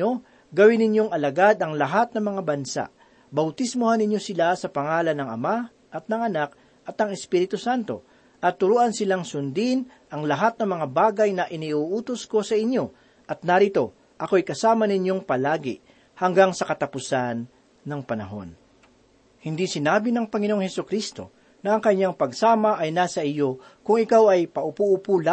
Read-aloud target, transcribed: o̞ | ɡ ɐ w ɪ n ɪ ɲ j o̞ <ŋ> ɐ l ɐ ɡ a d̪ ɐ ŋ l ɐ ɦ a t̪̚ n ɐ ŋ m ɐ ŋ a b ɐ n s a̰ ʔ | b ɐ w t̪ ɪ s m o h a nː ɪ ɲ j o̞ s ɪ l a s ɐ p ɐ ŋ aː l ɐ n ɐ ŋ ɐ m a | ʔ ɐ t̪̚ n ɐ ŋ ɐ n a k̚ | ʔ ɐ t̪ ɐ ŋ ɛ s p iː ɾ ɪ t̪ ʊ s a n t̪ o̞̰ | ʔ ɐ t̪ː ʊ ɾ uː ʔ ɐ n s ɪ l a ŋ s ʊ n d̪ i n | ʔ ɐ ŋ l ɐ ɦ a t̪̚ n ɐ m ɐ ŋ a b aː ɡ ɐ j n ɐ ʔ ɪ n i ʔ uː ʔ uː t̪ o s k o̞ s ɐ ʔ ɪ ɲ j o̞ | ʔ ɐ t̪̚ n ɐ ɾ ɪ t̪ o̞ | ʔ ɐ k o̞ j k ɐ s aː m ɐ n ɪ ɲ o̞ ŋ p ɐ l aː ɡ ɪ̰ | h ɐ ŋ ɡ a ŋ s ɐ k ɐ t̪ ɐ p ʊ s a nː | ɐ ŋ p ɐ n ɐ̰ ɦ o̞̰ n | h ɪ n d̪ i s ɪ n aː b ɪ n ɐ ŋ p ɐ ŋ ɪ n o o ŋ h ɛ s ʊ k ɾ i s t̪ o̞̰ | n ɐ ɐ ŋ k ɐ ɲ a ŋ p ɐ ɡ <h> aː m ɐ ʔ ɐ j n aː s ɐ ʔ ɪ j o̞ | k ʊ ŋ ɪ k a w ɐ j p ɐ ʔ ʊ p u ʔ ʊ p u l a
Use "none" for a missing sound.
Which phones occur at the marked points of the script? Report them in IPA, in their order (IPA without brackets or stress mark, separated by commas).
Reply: ŋ, s